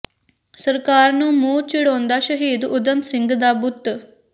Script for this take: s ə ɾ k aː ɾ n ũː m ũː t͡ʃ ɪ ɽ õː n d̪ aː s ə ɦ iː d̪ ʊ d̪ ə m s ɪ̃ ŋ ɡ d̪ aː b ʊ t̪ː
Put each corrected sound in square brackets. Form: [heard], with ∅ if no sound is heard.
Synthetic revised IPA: s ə ɾ k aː ɾ n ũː m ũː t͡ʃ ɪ ɽ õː n d̪ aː [ʃ] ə ɦ iː d̪ ʊ d̪ ə m s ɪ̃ ŋ ɡ d̪ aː b ʊ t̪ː